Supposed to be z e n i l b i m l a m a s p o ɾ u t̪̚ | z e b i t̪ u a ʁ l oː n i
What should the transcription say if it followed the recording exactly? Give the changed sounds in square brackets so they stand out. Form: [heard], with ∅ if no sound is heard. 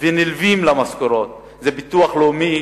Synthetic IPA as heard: [v] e n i l [v] i m l a m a s [k] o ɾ [o] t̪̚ | z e b i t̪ u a [χ] l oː [m] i